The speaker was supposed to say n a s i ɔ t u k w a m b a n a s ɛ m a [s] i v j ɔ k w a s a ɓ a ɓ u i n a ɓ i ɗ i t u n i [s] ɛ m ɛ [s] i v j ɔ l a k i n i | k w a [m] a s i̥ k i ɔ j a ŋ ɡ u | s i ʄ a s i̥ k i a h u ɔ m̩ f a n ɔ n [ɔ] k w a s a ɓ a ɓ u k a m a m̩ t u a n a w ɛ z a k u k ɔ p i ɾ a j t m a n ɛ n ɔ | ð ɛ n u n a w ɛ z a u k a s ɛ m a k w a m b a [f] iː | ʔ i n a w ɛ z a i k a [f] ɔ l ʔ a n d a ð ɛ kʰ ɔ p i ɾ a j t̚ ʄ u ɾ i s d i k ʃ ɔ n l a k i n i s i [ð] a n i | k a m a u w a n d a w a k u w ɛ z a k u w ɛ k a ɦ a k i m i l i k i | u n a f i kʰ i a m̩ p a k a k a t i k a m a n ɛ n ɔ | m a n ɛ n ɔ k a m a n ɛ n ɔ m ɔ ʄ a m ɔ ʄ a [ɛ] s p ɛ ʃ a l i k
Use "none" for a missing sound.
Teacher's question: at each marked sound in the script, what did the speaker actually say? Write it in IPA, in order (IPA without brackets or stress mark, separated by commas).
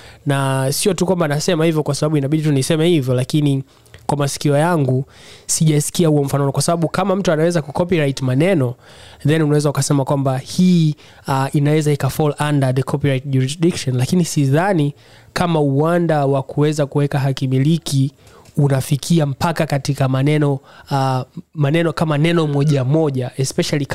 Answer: h, s, h, m, ɔ, h, f, ð, ɛ